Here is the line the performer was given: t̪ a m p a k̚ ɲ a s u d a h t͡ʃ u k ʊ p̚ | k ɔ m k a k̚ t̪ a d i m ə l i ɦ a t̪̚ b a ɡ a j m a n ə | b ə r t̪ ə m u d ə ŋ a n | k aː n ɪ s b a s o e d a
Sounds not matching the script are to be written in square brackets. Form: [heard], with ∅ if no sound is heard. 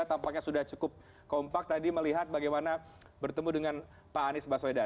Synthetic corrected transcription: t̪ a m p a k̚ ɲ a s u d a h t͡ʃ u k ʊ p̚ | k ɔ m [p] a k̚ t̪ a d i m ə l i ɦ a t̪̚ b a ɡ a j m a n [a] | b ə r t̪ ə m u d ə ŋ a n | [p] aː n ɪ s b a s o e d a